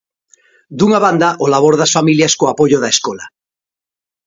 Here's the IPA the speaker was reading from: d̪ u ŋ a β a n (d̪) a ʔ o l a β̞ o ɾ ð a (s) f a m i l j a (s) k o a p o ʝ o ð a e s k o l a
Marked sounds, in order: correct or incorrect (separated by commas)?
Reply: correct, correct, correct